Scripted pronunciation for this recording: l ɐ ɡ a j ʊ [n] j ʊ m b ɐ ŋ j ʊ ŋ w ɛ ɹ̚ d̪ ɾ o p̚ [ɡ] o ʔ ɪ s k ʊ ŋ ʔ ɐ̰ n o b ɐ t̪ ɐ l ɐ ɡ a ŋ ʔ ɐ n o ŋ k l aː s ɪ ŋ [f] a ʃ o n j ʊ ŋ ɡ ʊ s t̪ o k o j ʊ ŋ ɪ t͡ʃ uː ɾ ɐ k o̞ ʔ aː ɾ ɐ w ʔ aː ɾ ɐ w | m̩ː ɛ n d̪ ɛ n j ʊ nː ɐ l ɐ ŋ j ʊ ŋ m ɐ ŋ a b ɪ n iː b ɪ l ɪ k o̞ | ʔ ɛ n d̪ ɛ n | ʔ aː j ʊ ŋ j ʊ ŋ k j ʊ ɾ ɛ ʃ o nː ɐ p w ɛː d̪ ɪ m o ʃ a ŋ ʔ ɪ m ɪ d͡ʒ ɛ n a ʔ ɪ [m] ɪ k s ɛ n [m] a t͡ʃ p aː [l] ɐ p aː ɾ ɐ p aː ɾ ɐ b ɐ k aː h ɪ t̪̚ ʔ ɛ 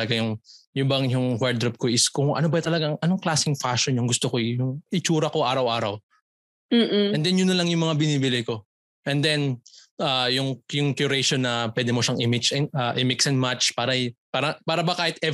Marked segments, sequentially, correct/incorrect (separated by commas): incorrect, incorrect, correct, correct, correct, incorrect